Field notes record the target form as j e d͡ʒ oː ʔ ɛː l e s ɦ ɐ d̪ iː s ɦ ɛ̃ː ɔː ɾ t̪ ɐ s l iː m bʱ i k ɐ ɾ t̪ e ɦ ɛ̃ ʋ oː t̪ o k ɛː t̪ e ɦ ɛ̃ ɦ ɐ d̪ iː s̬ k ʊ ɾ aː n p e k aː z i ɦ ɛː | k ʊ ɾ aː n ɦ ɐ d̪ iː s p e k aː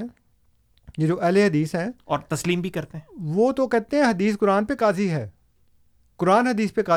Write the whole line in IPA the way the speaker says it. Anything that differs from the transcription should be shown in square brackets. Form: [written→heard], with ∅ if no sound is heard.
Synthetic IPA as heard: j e d͡ʒ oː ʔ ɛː l e [s→∅] ɦ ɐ d̪ iː s ɦ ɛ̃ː ɔː ɾ t̪ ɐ s l iː m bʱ i k ɐ ɾ t̪ e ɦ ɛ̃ ʋ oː t̪ o k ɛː t̪ e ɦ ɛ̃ ɦ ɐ d̪ iː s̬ k ʊ ɾ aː n p e k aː z i ɦ ɛː | k ʊ ɾ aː n ɦ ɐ d̪ iː s p e k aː